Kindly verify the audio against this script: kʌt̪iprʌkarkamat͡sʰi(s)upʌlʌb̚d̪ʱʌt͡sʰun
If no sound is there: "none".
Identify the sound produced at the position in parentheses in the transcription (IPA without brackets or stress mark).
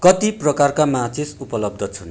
s